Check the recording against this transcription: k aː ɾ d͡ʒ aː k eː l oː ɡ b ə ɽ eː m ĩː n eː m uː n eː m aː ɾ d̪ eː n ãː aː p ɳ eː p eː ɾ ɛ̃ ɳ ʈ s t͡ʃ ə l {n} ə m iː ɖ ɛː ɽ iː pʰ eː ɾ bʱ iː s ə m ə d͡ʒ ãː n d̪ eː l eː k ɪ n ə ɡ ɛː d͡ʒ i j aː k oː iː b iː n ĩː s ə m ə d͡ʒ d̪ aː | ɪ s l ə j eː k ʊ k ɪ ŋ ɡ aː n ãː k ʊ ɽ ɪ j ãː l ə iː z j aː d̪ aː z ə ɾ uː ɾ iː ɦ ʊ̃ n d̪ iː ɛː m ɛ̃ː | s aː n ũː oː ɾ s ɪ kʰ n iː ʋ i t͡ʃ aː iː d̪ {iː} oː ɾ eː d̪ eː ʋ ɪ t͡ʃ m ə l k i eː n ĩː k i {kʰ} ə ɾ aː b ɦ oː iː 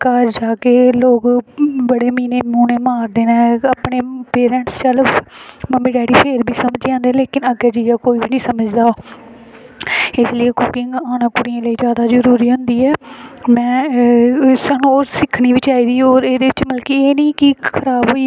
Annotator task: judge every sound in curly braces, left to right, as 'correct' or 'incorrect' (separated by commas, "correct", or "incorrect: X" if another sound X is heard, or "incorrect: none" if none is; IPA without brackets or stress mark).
incorrect: m, correct, correct